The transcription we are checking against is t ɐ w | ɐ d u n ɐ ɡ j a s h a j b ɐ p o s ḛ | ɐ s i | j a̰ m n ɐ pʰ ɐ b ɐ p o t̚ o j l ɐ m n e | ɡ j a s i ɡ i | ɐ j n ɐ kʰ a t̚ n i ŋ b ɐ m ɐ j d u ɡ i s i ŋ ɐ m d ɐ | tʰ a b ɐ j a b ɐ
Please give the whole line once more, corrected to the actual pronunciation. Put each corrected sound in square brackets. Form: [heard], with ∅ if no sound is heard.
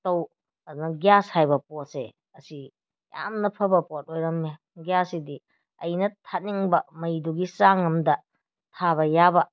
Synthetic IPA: t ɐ w | ɐ d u n ɐ ɡ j a s h a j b ɐ p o s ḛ | ɐ s i | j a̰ m n ɐ pʰ ɐ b ɐ p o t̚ o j [ɾ] ɐ m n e | ɡ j a s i [d] i | ɐ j n ɐ [tʰ] a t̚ n i ŋ b ɐ m ɐ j d u ɡ i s [a] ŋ ɐ m d ɐ | tʰ a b ɐ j a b ɐ